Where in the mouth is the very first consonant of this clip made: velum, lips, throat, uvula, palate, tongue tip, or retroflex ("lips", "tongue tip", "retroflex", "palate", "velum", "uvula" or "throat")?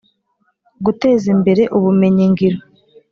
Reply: velum